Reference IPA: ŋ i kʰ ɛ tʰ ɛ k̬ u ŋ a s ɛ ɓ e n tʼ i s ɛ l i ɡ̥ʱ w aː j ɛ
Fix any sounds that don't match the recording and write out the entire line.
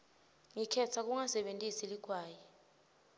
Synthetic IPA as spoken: ŋ i kʰ ɛ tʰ a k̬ u ŋ a s ɛ ɓ e n tʼ i s i l i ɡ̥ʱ w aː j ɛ